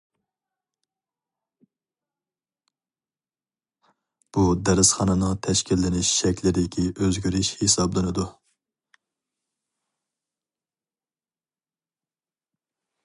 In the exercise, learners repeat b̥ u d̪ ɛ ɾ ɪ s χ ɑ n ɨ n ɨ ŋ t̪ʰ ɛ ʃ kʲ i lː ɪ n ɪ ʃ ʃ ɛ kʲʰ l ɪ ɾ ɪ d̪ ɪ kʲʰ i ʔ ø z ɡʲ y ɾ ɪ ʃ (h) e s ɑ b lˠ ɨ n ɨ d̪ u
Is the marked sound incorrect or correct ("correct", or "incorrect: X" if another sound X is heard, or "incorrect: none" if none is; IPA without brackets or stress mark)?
correct